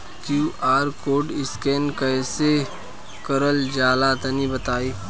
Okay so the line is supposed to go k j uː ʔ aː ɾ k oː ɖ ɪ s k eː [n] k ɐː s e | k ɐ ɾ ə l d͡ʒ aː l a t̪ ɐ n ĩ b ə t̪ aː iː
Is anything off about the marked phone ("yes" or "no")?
no